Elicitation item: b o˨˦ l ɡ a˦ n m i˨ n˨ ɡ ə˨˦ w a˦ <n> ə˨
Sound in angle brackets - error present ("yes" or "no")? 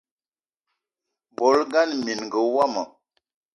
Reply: yes